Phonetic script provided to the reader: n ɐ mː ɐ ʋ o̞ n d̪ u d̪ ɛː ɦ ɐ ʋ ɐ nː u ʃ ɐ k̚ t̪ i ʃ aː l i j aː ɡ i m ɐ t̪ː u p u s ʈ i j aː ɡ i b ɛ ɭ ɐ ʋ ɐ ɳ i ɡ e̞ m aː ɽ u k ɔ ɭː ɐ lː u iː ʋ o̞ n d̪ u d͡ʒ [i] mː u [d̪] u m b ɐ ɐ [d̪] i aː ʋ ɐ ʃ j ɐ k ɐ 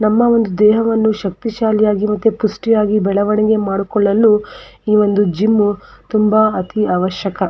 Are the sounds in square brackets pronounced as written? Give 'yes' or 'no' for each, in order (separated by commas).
yes, no, no